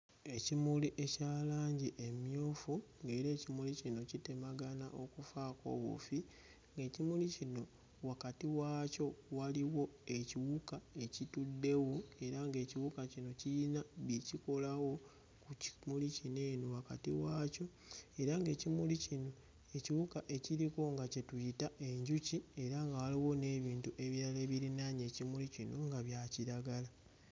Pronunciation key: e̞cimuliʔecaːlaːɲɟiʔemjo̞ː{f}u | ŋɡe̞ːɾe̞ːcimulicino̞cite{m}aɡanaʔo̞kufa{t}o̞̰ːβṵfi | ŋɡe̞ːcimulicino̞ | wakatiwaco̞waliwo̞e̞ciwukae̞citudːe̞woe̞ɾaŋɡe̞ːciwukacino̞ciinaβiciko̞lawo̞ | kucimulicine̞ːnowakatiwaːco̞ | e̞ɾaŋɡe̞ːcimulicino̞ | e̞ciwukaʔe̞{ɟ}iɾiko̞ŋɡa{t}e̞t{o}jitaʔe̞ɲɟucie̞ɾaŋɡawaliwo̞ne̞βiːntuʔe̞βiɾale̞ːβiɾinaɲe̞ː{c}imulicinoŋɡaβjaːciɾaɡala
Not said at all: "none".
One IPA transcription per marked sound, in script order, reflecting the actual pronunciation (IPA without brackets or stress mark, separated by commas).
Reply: f, m, k, c, c, u, c